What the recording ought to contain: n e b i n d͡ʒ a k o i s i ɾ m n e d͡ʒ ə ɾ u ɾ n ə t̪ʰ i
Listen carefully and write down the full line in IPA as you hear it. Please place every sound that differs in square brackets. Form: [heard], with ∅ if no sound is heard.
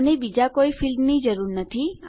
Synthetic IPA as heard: n e b i [∅] d͡ʒ a k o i [f] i [l] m n [i] d͡ʒ ə ɾ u ɾ n ə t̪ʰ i